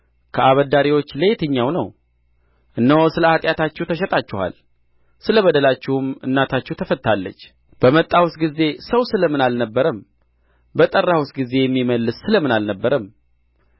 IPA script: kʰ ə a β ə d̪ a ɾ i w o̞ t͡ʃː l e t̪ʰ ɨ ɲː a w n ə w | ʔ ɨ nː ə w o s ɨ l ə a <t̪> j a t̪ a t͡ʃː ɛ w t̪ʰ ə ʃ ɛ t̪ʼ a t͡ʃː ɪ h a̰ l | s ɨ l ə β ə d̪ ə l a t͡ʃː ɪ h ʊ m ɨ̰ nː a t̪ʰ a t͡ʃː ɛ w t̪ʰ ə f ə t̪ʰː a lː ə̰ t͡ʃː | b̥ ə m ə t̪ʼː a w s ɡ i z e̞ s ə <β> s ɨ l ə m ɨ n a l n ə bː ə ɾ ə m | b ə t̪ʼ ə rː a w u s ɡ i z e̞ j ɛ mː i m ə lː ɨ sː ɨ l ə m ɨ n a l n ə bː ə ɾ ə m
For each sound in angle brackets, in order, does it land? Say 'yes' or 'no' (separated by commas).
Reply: no, no